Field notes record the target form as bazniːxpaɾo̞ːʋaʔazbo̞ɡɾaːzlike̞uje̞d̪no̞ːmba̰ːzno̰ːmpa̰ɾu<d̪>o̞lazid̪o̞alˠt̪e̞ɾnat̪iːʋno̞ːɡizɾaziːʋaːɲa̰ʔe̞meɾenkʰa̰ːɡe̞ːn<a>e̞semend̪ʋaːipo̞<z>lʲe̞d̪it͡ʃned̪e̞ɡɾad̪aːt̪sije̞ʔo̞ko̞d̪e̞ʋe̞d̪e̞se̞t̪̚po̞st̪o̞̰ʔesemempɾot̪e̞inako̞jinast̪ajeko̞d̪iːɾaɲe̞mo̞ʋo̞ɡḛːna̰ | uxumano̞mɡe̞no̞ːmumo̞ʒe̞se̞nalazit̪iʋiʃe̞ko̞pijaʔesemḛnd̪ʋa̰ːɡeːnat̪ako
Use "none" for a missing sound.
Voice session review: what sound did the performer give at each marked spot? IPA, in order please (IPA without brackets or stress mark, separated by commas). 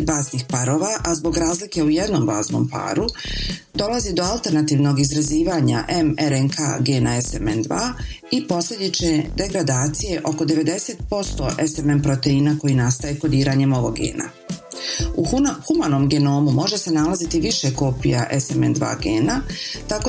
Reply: d̪, a, s